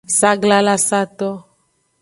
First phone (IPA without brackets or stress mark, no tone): s